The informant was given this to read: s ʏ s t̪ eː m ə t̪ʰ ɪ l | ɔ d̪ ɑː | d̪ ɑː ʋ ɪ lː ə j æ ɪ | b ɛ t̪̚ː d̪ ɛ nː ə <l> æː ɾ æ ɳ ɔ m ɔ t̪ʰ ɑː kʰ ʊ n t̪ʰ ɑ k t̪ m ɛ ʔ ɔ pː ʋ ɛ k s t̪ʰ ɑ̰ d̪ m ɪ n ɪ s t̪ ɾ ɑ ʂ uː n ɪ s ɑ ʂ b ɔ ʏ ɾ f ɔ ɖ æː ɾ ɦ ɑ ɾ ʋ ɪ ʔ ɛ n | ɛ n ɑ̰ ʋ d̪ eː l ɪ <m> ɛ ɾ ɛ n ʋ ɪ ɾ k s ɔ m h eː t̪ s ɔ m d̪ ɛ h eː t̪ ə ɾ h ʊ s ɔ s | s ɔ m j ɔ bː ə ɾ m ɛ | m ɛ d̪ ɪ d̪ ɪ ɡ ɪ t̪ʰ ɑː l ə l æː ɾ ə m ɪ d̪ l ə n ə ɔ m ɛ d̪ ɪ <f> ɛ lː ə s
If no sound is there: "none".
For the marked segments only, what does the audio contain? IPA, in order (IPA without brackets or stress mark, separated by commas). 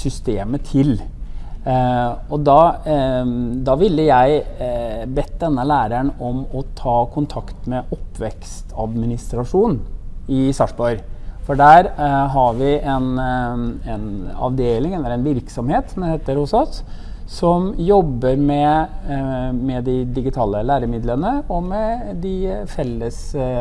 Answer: l, ŋ, f